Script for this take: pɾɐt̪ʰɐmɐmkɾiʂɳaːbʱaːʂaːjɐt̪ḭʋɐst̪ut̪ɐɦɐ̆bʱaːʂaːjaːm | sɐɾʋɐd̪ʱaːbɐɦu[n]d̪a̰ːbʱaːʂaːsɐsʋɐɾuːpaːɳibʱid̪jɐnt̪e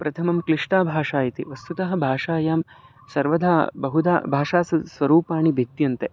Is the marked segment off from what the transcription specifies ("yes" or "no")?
yes